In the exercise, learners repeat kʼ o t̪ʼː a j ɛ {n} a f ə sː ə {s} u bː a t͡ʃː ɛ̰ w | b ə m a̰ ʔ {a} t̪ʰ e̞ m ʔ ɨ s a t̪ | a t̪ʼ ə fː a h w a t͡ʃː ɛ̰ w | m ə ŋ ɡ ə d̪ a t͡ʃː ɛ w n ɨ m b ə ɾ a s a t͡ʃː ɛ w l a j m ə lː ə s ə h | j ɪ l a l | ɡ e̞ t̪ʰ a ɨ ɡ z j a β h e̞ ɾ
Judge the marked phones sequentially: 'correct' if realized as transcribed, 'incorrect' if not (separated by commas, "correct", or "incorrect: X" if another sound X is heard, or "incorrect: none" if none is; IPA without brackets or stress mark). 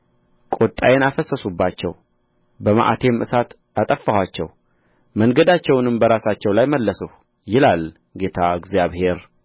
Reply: correct, correct, correct